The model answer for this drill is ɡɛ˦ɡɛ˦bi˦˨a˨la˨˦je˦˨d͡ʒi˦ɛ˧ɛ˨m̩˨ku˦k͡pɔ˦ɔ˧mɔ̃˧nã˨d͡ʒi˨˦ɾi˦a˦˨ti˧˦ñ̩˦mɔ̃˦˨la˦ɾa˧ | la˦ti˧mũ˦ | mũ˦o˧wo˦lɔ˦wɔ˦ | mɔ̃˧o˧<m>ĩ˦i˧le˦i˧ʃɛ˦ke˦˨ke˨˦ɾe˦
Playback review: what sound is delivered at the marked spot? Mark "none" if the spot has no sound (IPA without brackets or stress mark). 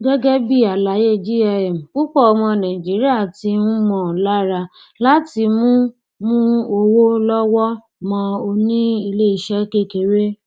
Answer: n